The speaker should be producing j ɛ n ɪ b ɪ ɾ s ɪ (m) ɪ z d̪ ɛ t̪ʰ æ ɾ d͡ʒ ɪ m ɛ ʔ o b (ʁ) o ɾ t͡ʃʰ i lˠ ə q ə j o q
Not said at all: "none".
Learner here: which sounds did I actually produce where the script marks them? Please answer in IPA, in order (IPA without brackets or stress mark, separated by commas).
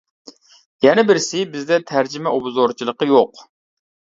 b, z